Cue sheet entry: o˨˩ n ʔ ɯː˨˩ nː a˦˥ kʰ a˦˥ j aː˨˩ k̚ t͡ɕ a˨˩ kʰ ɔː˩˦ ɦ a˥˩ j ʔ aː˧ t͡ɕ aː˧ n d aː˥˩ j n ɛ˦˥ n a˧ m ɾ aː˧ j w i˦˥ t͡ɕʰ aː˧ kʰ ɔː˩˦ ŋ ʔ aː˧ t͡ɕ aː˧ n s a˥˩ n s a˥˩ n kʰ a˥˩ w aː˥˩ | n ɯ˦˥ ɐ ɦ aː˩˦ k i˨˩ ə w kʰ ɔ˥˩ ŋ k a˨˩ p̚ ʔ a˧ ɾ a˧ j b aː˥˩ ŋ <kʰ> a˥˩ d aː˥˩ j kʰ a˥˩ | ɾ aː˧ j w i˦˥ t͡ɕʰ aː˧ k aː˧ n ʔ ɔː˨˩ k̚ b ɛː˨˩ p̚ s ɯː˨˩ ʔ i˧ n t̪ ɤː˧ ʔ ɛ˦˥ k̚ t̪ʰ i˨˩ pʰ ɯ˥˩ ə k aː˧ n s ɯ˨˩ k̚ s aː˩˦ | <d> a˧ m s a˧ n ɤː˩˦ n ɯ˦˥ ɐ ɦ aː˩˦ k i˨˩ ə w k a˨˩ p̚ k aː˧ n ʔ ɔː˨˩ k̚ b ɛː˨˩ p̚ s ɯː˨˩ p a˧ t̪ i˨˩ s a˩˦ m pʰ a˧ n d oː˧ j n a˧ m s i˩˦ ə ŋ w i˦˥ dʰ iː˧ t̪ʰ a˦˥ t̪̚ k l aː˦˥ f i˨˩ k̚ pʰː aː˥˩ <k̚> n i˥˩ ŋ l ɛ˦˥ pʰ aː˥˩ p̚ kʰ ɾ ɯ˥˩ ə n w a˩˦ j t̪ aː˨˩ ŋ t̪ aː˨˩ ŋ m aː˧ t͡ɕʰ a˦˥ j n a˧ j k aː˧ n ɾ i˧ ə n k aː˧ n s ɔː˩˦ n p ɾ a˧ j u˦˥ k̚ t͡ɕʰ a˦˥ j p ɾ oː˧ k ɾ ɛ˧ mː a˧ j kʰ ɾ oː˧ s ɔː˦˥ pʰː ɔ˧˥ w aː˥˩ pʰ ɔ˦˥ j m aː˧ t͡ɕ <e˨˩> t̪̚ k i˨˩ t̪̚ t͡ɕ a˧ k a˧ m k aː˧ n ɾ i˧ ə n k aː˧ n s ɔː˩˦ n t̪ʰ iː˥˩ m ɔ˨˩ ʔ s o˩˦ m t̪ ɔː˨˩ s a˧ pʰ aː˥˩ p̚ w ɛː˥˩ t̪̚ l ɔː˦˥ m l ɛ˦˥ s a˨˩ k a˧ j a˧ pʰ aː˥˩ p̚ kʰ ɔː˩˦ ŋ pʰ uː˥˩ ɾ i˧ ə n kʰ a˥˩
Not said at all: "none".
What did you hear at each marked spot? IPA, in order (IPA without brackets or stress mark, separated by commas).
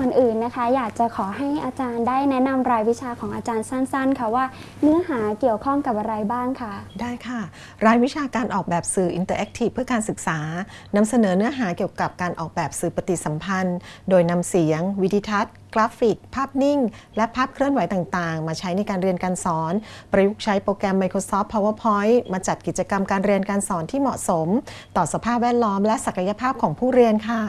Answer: kʰ, n, p̚, a˨˩